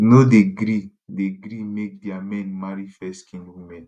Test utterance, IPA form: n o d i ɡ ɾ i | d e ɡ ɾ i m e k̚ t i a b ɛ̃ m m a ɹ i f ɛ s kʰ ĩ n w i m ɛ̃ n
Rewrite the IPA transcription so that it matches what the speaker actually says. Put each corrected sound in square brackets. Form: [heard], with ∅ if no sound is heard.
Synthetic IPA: n o d [e] ɡ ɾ i | d e ɡ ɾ i m e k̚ [d] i a [m] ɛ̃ [n] m a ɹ i f ɛ s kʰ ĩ n w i m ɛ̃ n